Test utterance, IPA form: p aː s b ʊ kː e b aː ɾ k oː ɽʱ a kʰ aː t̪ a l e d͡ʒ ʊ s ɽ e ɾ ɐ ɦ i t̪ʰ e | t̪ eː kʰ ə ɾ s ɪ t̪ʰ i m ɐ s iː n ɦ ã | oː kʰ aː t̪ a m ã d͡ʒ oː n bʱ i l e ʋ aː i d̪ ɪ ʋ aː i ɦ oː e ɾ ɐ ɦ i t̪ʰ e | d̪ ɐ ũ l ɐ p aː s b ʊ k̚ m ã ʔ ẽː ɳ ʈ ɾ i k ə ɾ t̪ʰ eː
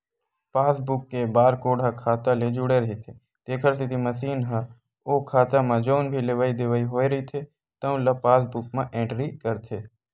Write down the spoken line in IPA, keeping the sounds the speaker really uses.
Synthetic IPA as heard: p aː s b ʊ kː e b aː ɾ k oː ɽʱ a kʰ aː t̪ a l e d͡ʒ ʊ ɽ e ɾ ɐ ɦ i t̪ʰ e | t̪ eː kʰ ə ɾ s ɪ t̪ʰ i m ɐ s iː n ɦ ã | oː kʰ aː t̪ a m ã d͡ʒ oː n bʱ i l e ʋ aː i d̪ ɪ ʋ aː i ɦ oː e ɾ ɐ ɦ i t̪ʰ e | t̪ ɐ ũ l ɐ p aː s b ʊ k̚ m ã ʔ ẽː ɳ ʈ ɾ i k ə ɾ t̪ʰ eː